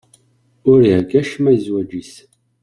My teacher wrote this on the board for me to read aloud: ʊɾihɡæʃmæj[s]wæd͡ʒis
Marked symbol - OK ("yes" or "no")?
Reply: no